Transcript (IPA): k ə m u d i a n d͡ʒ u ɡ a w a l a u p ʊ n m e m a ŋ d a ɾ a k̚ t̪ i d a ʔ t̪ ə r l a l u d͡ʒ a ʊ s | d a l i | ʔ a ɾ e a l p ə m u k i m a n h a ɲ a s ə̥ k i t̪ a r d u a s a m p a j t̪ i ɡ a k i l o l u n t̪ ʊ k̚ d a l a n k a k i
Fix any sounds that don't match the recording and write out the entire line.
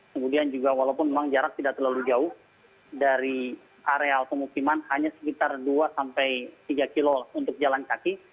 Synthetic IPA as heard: k ə m u d i a n d͡ʒ u ɡ a w a l a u p ʊ n m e m a ŋ d͡ʒ a ɾ a k̚ t̪ i d a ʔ t̪ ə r l a l u d͡ʒ a ʊ h | d a ɾ i | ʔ a ɾ e a l p ə m u k i m a n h a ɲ a s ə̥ k i t̪ a r d u a s a m p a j t̪ i ɡ a k i l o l u n t̪ ʊ k̚ d͡ʒ a l a n k a k i